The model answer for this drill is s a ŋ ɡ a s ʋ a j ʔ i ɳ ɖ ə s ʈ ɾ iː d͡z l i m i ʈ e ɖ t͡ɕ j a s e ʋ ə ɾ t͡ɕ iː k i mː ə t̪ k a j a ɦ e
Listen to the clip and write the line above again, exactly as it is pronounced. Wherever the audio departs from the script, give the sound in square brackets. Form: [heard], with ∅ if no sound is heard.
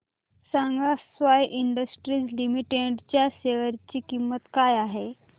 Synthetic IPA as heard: s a ŋ ɡ a s ʋ a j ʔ i ɳ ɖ ə s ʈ ɾ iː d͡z l i m i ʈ e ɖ t͡ɕ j a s e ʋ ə ɾ t͡ɕ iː k i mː ə t̪ k a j a ɦ e